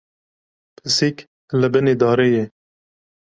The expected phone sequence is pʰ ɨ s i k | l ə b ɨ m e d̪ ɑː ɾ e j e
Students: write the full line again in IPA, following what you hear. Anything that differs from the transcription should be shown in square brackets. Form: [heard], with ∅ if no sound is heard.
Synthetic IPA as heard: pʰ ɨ s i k | l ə b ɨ [n] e d̪ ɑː ɾ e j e